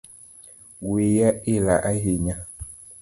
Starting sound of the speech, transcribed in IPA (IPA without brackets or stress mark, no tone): w